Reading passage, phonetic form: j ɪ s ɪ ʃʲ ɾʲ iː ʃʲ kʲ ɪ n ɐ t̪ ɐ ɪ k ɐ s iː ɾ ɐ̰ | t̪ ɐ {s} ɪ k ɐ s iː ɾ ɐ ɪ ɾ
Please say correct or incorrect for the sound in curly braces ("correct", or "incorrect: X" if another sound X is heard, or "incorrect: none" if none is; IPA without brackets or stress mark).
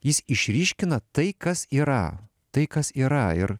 incorrect: none